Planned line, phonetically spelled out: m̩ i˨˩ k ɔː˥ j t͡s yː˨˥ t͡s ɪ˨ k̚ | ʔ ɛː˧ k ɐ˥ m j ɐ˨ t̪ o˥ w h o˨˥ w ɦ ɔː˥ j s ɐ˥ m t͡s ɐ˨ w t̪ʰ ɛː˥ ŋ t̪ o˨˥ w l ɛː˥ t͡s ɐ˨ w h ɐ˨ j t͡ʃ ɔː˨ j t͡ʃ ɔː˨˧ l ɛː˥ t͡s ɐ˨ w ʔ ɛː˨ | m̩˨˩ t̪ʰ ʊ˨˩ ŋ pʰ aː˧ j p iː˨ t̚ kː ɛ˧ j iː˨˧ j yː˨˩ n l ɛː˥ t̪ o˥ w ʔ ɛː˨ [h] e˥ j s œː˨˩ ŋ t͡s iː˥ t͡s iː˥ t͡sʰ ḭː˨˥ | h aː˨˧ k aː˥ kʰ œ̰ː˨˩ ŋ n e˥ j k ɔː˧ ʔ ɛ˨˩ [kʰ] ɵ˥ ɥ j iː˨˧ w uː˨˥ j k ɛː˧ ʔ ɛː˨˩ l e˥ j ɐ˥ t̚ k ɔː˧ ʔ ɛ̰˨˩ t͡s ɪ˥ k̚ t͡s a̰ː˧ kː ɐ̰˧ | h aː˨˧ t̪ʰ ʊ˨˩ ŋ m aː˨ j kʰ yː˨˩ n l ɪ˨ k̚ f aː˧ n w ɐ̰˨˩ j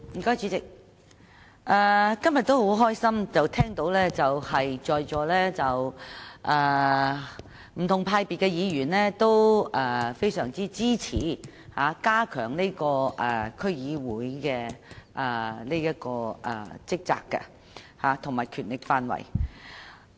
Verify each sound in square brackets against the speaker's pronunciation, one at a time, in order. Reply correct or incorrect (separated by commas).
incorrect, correct